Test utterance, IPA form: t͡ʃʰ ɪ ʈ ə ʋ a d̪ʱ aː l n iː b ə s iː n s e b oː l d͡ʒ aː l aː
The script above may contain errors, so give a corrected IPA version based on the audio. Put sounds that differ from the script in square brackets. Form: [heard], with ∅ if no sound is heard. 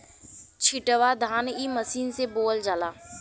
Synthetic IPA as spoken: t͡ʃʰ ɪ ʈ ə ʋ a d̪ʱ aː [∅] n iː [m] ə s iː n s e b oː l d͡ʒ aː l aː